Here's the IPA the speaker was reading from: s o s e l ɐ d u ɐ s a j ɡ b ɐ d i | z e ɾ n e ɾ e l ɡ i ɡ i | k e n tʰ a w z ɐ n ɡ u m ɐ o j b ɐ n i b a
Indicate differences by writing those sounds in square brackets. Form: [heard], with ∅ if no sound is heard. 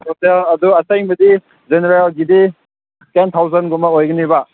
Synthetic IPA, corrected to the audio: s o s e l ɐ d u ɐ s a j [ŋ] b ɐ d i | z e [∅] n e ɾ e l ɡ i [d] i | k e n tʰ a w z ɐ n ɡ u m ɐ o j [ɡ] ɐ n i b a